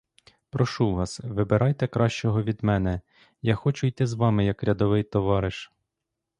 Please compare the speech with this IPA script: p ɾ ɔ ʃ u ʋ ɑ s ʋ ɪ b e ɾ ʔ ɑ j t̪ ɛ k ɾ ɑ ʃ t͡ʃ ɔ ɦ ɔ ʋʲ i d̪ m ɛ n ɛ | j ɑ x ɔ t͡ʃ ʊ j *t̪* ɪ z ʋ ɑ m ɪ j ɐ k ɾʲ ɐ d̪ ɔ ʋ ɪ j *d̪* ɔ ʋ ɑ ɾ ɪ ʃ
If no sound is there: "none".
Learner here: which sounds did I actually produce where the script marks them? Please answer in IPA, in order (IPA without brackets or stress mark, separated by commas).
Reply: t̪, t̪